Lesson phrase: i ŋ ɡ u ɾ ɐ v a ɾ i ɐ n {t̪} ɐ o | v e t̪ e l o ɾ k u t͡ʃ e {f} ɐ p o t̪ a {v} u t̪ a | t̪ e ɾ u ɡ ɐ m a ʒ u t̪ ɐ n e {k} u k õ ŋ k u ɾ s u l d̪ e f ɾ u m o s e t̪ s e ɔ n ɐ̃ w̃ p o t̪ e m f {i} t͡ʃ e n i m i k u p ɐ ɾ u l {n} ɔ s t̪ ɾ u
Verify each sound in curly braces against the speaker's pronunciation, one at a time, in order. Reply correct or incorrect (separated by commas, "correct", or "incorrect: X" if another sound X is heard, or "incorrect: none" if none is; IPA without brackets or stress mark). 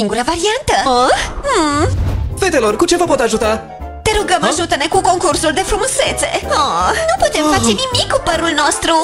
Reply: correct, incorrect: v, incorrect: ʒ, correct, incorrect: a, correct